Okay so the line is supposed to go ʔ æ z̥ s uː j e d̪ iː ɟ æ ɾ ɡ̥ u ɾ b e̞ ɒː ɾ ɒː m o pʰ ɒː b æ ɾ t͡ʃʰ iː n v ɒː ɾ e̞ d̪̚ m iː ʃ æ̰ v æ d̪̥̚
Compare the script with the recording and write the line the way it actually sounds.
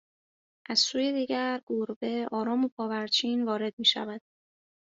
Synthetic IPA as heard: ʔ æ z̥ s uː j e d̪ iː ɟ æ ɾ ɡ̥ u ɾ b e̞ ɒː ɾ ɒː m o pʰ ɒː v æ ɾ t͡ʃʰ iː n v ɒː ɾ e̞ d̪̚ m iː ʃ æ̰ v æ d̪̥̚